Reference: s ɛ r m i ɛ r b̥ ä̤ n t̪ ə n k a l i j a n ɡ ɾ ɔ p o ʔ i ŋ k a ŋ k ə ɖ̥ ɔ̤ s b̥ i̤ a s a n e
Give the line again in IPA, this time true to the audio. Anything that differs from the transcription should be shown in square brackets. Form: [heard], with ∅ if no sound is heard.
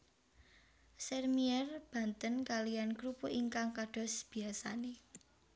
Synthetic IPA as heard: s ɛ r m i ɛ r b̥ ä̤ n t̪ ə n k a l i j a n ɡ ɾ [u] p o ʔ i ŋ k a ŋ k [a] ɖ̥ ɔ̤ s b̥ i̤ a s a n e